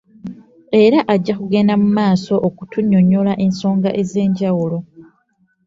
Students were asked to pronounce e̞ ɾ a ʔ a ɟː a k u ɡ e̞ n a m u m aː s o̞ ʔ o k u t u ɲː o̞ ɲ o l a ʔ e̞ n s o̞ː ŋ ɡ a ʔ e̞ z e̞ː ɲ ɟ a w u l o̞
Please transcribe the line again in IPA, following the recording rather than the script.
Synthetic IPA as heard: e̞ ɾ a ʔ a ɟː a k u ɡ e̞ n a m u m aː s o̞ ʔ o k u t u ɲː o̞ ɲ o l a ʔ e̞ n s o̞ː ŋ ɡ a ʔ e̞ z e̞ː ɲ ɟ a w u l o̞